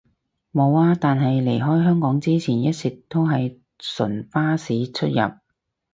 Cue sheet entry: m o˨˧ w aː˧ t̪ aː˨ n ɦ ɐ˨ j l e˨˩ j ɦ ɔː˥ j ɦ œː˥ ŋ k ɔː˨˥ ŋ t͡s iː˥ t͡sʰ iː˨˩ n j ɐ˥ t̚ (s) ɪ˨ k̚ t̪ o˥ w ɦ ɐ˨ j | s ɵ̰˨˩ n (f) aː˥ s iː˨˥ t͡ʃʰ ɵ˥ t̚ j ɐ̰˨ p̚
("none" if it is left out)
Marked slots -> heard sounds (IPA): s, f

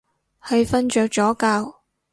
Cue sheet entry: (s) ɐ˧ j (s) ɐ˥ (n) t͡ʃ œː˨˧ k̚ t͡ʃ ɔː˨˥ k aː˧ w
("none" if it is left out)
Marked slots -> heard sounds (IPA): h, f, n

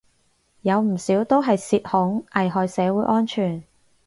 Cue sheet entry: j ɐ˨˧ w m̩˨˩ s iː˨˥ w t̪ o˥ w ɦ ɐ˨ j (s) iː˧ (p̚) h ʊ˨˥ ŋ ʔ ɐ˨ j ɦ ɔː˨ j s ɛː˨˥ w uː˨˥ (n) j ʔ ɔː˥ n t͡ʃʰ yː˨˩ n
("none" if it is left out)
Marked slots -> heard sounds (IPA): s, t̚, none

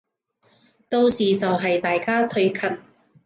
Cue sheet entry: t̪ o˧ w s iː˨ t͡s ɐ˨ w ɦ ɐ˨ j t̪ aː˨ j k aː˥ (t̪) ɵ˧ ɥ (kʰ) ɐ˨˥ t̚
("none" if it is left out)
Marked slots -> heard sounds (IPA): t̪ʰ, kʰ

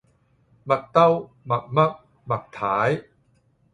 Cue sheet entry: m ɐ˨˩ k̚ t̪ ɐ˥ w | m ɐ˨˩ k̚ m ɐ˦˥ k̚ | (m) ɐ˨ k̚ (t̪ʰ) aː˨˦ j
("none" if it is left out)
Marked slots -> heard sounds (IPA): m, t̪ʰ

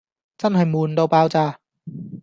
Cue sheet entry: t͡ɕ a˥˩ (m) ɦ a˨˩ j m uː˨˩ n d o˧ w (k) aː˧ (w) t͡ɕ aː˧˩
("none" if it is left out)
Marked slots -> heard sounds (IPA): n, p, w

